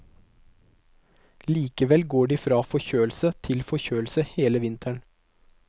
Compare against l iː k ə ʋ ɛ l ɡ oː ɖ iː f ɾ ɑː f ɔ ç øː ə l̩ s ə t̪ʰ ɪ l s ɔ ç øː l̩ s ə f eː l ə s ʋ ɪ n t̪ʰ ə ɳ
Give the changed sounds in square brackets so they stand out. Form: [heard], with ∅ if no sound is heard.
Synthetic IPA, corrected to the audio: l iː k ə ʋ ɛ l ɡ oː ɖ iː f ɾ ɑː f ɔ ç øː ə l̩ s ə t̪ʰ ɪ l [f] ɔ ç øː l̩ s ə [h] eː l ə [∅] ʋ ɪ n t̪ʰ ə ɳ